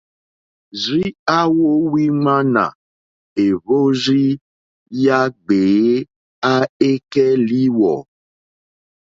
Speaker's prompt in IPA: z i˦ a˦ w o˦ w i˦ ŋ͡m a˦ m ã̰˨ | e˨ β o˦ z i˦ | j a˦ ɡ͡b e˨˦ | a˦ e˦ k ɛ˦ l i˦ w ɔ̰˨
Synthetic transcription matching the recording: z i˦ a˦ w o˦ w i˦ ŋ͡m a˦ n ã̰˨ | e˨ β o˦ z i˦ | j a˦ ɡ͡b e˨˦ | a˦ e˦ k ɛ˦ l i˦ w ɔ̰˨